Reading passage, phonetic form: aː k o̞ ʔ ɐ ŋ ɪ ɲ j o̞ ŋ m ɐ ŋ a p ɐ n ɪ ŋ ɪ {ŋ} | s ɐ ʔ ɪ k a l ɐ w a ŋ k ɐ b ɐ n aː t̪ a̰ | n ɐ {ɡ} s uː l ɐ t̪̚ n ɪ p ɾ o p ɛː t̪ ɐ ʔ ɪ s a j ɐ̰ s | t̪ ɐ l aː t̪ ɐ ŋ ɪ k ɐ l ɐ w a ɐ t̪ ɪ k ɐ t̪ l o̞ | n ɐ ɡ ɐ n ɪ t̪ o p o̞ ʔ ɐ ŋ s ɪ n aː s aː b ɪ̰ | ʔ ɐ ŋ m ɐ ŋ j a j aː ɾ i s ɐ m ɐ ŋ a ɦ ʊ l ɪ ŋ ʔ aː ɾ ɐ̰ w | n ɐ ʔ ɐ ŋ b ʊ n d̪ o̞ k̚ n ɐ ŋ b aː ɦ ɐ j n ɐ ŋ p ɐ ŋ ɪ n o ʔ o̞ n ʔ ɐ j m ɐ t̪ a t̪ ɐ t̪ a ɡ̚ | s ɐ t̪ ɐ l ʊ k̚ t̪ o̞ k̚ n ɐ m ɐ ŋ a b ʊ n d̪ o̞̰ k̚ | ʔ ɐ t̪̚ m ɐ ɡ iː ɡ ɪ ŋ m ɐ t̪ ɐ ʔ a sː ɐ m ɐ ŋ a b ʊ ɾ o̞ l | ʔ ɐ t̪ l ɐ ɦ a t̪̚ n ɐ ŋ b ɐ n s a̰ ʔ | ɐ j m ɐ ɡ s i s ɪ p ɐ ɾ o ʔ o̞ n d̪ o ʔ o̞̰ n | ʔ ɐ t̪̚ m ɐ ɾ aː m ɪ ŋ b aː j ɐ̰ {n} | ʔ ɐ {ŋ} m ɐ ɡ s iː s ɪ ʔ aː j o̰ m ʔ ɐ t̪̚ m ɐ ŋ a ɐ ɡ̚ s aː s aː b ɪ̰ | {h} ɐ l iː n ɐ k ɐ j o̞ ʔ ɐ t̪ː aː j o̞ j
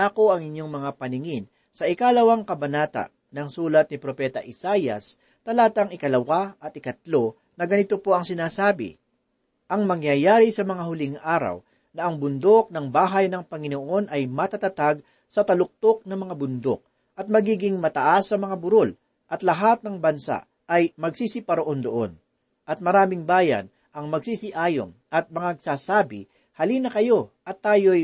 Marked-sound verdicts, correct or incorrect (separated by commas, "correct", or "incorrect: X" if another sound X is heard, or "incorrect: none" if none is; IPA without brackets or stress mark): incorrect: n, incorrect: ŋ, correct, correct, correct